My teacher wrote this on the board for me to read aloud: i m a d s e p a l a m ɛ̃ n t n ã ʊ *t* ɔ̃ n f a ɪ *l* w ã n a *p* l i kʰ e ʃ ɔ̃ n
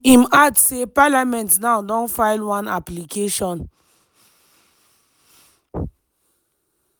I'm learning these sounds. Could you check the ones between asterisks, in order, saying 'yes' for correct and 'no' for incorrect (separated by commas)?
no, yes, yes